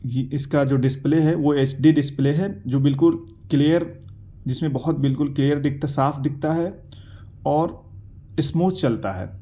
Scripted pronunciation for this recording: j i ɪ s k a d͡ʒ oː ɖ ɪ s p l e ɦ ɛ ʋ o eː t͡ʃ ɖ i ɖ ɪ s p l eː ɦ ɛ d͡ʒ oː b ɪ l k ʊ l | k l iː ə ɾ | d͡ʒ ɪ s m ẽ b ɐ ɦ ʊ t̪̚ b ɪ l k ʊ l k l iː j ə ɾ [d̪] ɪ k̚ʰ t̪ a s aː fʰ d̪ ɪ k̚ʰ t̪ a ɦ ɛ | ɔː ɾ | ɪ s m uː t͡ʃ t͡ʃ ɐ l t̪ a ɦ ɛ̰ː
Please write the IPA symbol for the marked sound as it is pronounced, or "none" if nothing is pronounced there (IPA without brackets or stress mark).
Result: d̪